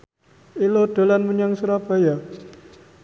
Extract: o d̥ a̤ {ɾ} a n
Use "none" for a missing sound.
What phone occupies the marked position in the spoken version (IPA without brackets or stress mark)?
l